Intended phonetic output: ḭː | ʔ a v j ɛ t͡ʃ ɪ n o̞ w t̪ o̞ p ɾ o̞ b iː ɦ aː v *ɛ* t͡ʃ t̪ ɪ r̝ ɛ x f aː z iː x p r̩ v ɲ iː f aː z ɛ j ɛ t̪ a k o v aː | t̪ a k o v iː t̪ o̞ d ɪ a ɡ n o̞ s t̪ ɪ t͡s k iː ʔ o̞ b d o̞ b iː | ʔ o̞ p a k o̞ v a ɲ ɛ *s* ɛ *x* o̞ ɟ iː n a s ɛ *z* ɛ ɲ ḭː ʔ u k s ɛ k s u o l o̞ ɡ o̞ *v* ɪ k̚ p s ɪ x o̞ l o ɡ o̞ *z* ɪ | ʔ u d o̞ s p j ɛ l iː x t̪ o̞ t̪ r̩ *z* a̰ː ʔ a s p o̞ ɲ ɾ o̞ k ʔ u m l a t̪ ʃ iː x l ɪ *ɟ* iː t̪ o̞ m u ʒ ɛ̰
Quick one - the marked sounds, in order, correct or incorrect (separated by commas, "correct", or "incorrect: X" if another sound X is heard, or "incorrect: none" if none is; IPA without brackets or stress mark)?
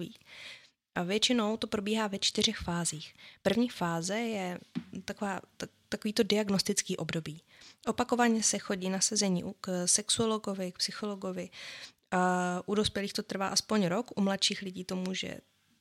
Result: correct, correct, correct, correct, correct, incorrect: v, incorrect: v, correct